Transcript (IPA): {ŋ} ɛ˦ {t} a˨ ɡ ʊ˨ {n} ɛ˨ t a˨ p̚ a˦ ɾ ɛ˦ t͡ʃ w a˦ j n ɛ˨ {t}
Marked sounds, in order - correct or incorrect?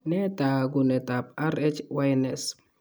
incorrect: n, correct, correct, incorrect: s

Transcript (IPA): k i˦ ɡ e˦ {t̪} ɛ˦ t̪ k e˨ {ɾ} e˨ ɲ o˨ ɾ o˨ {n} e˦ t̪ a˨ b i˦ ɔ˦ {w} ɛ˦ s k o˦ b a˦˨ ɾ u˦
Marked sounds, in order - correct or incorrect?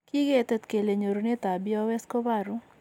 correct, incorrect: l, correct, correct

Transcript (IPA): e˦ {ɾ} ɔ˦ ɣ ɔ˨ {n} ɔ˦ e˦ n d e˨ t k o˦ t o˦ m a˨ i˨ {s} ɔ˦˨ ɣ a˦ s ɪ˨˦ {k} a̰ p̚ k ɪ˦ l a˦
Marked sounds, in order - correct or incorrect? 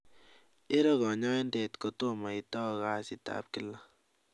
correct, incorrect: ɲ, incorrect: t, incorrect: t

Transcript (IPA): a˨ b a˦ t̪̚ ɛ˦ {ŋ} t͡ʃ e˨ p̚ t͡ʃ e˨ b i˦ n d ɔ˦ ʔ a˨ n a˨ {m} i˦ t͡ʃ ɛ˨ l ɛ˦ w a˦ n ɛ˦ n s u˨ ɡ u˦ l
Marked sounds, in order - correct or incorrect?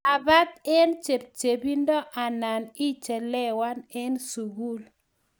incorrect: n, incorrect: n

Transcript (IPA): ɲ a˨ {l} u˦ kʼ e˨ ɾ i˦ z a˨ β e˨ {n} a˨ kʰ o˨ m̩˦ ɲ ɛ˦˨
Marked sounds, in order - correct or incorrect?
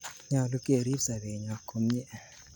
correct, incorrect: ɲ

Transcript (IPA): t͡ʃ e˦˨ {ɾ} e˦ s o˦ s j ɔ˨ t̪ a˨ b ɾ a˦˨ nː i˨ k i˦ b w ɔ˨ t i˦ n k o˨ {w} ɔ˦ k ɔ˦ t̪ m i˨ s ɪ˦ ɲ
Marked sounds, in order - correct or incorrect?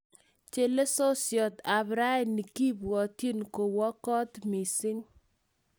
incorrect: l, correct

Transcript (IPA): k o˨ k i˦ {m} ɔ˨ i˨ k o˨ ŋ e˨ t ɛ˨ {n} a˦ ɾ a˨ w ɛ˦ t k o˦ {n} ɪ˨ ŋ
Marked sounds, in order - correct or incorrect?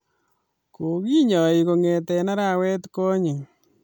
incorrect: ɲ, correct, incorrect: ɲ

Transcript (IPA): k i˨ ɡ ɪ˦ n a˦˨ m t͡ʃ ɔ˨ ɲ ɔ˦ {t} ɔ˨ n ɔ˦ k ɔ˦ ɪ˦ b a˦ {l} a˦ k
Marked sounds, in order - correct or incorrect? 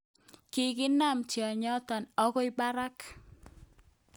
correct, incorrect: ɾ

